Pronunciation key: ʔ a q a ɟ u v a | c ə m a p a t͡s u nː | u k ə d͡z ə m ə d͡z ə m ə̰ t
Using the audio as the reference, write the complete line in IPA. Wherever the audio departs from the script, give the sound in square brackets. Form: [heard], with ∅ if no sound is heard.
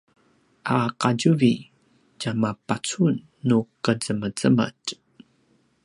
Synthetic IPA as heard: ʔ a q a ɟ u v [i] | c [a] m a p a t͡s u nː | u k ə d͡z ə m ə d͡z ə m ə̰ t